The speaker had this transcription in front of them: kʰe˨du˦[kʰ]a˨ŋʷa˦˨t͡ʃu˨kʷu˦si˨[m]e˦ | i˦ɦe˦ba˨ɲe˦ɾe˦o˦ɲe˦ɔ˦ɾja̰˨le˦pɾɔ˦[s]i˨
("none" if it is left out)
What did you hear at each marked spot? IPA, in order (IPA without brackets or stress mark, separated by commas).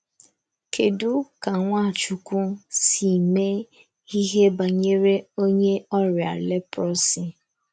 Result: k, m, s